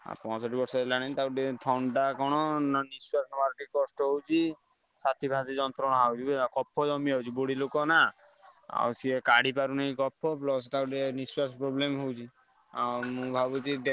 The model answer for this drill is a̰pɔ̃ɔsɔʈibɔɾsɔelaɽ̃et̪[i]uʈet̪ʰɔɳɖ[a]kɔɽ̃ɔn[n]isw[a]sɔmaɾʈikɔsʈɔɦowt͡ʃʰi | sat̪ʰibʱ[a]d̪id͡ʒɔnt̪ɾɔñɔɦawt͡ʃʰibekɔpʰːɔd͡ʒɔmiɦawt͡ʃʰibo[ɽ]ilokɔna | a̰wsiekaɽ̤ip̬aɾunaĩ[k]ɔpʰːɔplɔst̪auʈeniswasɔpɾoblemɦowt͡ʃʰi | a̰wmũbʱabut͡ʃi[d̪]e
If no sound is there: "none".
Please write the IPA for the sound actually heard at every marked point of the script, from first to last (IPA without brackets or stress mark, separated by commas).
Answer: a, a, n, a, a, ɽ, k, d̪